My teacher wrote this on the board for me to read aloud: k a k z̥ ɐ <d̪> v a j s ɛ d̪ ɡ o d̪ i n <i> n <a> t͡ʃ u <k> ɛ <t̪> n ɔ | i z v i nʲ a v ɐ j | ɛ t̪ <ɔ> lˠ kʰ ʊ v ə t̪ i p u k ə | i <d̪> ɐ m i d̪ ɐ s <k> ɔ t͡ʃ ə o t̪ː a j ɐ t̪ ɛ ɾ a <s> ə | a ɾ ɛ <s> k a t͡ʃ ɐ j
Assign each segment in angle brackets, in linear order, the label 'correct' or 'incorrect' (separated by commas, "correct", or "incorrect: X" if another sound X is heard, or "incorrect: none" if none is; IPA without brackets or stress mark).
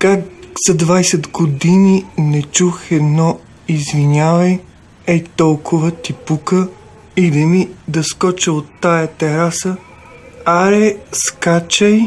correct, correct, incorrect: ɛ, incorrect: x, incorrect: d̪, correct, correct, correct, correct, correct